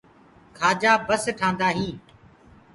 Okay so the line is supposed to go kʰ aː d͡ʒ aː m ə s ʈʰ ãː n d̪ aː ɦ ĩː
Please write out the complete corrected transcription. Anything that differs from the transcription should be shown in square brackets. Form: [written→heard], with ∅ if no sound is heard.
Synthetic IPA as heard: kʰ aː d͡ʒ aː [m→b] ə s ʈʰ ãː n d̪ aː ɦ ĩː